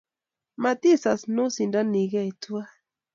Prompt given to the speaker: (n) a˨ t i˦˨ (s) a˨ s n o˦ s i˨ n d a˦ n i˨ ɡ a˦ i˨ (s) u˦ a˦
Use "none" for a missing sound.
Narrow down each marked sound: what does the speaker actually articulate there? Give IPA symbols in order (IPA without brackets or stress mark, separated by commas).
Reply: m, s, t